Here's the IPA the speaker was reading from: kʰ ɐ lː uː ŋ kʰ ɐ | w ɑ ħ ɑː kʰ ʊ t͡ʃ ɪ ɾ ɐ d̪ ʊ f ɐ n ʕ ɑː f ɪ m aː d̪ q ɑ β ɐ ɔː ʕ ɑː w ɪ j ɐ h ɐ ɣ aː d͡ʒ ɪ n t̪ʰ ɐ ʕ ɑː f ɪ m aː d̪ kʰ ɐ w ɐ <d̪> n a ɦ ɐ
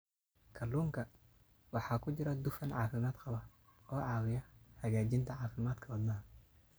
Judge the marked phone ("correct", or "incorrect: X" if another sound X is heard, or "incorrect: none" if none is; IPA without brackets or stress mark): correct